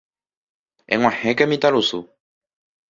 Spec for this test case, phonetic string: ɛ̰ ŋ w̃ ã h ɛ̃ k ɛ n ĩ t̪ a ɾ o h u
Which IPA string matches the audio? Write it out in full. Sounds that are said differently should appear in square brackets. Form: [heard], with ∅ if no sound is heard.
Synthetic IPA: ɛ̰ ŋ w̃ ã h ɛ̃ k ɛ [m] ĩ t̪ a [l] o [s] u

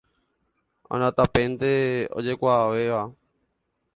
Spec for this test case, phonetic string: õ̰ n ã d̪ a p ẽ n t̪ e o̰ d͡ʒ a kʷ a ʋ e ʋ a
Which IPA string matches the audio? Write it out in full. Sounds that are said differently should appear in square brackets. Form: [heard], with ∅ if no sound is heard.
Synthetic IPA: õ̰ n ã [t̪] a p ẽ n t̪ e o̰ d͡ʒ [e] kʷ a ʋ e ʋ a

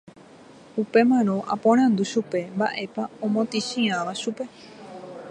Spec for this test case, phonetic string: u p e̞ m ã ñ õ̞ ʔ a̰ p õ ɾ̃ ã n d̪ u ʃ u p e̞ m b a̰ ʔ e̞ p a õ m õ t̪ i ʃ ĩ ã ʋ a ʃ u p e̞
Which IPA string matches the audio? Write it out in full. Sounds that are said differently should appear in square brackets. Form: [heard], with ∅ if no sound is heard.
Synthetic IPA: u p e̞ m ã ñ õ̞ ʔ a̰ p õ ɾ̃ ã n d̪ u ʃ u p e̞ m b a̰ ʔ e̞ p a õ m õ t̪ i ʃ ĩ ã ʋ a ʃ u p e̞

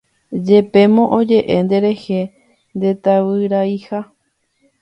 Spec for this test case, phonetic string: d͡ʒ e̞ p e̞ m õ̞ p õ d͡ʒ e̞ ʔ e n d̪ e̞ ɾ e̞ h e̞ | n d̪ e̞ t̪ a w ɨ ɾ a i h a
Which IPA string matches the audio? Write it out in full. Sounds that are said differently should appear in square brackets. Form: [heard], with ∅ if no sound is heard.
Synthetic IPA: d͡ʒ e̞ p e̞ m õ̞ [ʔ] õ d͡ʒ e̞ ʔ e n d̪ e̞ ɾ e̞ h e̞ | n d̪ e̞ t̪ a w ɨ ɾ a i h a

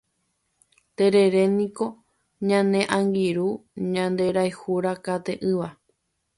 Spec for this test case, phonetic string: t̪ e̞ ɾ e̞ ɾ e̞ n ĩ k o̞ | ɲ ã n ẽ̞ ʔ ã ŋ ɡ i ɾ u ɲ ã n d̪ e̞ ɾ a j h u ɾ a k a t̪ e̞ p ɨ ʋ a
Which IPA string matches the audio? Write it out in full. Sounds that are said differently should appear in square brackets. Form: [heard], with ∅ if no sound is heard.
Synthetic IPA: t̪ e̞ ɾ e̞ ɾ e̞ n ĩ k o̞ | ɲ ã n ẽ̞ ʔ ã ŋ ɡ i ɾ u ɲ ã n d̪ e̞ ɾ a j h u ɾ a k a t̪ e̞ [ʔ] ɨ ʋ a

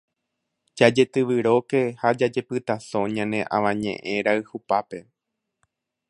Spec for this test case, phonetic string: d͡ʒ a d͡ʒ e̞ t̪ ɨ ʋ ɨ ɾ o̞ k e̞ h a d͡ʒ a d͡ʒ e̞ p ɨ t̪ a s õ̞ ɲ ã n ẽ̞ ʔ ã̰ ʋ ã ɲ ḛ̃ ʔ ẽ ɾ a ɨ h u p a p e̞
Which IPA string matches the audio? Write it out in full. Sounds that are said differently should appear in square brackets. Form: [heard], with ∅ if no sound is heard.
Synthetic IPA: d͡ʒ a d͡ʒ e̞ t̪ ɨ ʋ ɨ ɾ o̞ k e̞ h a d͡ʒ a d͡ʒ e̞ p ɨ t̪ a s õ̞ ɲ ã n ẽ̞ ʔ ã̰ ʋ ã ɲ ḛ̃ ʔ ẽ ɾ a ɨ h u p a p e̞

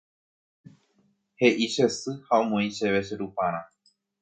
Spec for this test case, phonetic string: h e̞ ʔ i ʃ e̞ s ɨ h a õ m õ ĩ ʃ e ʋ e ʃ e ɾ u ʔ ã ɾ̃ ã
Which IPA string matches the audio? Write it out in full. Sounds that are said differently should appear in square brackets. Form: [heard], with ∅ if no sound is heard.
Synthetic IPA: h e̞ ʔ i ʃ e̞ s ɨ h a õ m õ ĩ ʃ e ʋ e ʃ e ɾ u [p] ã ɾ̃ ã

